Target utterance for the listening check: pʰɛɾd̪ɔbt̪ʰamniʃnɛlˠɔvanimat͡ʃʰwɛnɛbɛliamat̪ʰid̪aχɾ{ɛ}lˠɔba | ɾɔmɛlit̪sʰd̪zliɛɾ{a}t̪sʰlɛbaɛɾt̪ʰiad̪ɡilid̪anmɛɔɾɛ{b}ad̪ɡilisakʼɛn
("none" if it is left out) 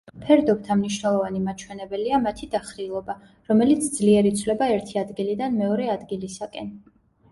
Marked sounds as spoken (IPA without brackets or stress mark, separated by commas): i, i, none